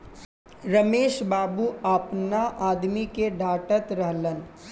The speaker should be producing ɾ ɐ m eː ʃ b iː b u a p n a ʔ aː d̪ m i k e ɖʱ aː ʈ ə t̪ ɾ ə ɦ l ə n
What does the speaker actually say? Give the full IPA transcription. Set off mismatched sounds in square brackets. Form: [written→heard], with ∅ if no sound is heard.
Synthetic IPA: ɾ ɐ m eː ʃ b [iː→aː] b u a p n a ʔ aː d̪ m i k e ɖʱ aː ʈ ə t̪ ɾ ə ɦ l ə n